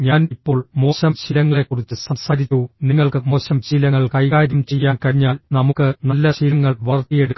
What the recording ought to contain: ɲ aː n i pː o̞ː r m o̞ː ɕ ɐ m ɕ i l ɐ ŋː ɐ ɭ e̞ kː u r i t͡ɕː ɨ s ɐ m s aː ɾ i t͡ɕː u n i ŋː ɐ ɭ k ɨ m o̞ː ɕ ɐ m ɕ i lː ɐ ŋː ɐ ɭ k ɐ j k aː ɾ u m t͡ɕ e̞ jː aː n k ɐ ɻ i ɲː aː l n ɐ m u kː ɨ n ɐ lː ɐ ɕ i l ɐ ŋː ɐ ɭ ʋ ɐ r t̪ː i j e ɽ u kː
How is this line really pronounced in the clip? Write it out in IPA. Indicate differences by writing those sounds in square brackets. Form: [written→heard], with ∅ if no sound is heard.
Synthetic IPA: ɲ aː n i pː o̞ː [r→ɭ] m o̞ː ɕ ɐ m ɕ i l ɐ ŋː ɐ ɭ e̞ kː u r i t͡ɕː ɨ s ɐ m s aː ɾ i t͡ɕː u n i ŋː ɐ ɭ k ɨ m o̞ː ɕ ɐ m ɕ i [lː→l] ɐ ŋː ɐ ɭ k ɐ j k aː ɾ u m t͡ɕ e̞ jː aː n k ɐ ɻ i ɲː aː l n ɐ m u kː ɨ n ɐ lː ɐ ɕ i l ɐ ŋː ɐ ɭ ʋ ɐ r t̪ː i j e ɽ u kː